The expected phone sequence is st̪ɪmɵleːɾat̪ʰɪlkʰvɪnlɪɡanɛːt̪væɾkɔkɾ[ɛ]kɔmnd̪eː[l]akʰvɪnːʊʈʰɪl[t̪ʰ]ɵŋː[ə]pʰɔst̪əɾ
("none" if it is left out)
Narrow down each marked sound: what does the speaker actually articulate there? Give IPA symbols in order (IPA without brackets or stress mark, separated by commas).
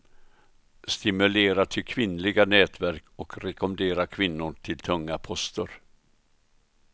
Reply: ɛ, ɾ, t̪ʰ, a